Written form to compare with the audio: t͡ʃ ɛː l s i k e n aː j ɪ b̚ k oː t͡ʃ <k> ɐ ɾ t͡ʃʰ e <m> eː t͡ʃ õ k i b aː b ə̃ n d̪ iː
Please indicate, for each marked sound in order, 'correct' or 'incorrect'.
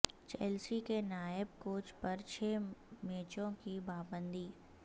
incorrect: p, correct

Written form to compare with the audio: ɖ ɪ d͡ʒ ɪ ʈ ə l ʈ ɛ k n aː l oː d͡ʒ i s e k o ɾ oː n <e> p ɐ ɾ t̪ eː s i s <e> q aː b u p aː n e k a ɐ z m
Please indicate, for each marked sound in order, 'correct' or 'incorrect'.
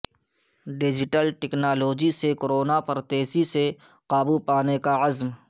incorrect: a, correct

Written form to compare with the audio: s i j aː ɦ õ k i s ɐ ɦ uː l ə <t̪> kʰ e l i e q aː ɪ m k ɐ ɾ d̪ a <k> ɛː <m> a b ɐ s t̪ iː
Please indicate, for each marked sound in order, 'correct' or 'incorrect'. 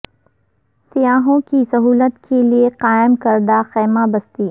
correct, incorrect: x, correct

